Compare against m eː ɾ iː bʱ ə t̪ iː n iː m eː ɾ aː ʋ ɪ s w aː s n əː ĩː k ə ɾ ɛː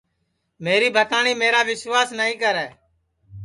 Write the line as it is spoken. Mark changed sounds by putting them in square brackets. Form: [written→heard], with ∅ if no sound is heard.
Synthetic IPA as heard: m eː ɾ iː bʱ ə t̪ [iː→aː] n iː m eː ɾ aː ʋ ɪ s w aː s n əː ĩː k ə ɾ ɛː